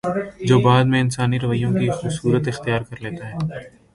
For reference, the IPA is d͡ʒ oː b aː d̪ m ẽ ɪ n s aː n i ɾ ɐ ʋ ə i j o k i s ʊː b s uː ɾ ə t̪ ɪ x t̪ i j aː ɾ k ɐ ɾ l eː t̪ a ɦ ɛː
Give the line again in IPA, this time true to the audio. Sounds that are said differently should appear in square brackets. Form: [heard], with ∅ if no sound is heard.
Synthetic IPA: d͡ʒ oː b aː d̪ m ẽ ɪ n s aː n i ɾ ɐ ʋ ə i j [õ] k i [x] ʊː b s uː ɾ ə t̪ ɪ x t̪ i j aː ɾ k ɐ ɾ l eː t̪ a ɦ ɛː